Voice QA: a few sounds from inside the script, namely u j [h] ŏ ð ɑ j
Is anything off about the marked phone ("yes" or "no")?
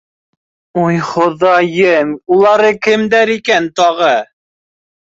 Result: yes